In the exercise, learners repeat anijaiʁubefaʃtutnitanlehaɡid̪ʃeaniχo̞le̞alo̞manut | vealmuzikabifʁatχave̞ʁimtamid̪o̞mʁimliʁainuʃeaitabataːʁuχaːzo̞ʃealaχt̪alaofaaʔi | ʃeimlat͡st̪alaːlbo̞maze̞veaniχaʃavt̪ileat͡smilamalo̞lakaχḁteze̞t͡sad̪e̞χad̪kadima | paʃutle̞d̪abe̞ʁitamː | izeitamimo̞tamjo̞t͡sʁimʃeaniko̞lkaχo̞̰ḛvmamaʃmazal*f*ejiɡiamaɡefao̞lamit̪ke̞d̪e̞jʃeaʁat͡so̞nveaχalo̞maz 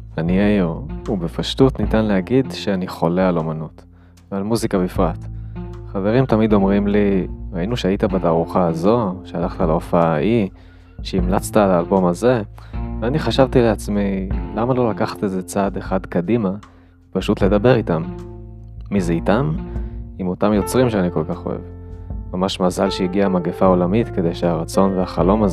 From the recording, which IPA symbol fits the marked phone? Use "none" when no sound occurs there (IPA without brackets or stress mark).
ʃ